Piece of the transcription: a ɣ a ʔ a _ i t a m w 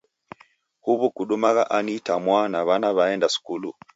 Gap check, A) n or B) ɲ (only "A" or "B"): A